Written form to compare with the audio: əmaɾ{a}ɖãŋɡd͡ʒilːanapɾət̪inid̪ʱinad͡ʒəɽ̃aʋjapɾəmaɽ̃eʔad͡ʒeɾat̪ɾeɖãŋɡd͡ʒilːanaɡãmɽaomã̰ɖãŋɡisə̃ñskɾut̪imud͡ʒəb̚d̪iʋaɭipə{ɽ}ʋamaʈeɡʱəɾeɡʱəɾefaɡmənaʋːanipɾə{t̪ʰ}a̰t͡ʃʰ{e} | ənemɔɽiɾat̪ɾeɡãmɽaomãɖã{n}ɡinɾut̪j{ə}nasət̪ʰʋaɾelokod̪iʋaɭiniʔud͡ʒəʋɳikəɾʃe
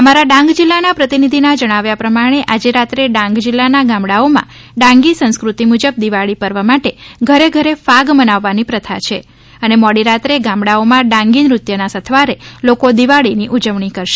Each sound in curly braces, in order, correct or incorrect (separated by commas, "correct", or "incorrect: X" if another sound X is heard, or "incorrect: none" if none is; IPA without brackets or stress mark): correct, incorrect: ɾ, correct, correct, incorrect: ŋ, correct